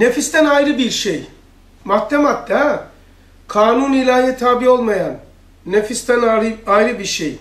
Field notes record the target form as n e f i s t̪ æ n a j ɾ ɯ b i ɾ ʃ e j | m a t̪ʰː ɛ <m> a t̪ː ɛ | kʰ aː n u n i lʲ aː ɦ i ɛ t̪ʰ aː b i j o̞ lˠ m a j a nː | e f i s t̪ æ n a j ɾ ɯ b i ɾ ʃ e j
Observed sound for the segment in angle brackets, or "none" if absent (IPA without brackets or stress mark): m